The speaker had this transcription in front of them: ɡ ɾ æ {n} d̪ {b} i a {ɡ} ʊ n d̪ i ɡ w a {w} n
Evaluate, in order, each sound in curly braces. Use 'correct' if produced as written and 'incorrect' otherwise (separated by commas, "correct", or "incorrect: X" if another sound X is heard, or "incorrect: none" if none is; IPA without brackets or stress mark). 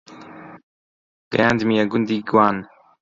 correct, incorrect: m, correct, incorrect: none